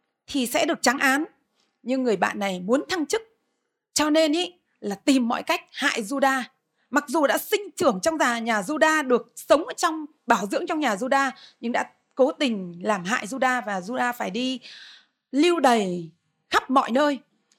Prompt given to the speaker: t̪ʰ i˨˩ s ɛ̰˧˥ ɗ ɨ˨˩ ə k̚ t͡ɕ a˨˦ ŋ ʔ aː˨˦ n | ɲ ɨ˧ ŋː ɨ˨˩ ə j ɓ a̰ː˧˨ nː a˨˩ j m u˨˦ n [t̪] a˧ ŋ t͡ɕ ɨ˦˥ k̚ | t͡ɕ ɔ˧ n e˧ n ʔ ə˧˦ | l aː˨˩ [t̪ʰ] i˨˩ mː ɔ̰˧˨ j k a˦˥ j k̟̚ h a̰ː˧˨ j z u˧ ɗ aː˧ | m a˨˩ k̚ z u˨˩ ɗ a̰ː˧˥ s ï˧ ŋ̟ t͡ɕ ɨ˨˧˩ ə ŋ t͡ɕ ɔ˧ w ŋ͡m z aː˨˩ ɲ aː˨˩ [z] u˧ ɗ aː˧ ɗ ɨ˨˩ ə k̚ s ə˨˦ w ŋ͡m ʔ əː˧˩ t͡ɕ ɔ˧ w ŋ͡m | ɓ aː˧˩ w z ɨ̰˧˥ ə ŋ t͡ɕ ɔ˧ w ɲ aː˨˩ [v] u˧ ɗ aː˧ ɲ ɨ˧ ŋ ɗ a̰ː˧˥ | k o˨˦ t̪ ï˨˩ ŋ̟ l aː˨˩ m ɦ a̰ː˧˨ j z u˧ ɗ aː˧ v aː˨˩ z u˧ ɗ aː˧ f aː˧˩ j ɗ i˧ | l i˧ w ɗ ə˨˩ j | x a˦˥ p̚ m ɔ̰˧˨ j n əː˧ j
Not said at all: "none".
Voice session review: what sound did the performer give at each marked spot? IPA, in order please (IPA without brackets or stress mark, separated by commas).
t̪ʰ, t̪, z, z